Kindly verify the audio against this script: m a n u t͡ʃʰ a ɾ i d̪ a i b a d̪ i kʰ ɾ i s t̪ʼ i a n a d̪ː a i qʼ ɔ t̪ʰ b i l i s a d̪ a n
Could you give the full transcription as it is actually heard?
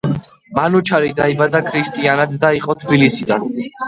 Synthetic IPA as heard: m a n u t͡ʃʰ a ɾ i d̪ a i b a d̪ a kʰ ɾ i s t̪ʼ i a n a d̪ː a i qʼ ɔ t̪ʰ b i l i s i d̪ a n